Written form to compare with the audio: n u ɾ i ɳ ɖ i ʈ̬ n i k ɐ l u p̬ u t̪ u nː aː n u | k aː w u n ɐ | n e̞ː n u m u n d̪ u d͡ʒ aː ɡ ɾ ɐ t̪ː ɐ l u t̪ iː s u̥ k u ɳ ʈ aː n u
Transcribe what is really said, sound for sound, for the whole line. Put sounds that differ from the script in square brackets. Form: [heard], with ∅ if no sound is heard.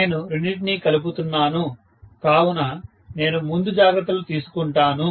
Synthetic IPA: n u ɾ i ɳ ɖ i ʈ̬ n i k ɐ l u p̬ u t̪ u nː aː n u | k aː w u n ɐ | n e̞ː n u m u n d̪ u d͡ʒ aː ɡ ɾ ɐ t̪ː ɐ l u t̪ iː s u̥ k u ɳ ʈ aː n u